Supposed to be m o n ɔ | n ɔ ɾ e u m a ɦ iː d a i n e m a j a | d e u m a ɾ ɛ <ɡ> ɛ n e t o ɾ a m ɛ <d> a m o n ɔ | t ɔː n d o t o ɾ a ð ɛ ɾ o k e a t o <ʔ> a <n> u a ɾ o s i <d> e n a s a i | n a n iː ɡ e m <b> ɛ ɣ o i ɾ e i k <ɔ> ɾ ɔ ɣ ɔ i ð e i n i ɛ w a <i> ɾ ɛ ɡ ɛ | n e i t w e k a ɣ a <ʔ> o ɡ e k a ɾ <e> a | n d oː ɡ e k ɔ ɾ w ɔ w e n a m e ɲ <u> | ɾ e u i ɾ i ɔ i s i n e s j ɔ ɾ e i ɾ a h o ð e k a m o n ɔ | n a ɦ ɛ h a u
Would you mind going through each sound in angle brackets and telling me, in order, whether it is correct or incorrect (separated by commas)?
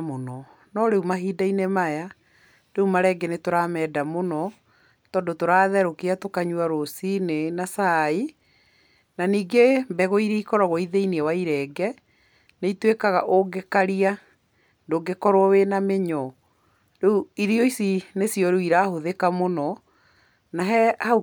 correct, correct, incorrect, incorrect, incorrect, correct, correct, correct, correct, incorrect, incorrect